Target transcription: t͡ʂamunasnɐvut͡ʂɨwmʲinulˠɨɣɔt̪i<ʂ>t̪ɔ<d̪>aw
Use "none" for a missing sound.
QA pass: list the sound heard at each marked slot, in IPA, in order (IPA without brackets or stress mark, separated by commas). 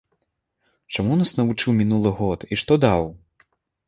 ʂ, d̪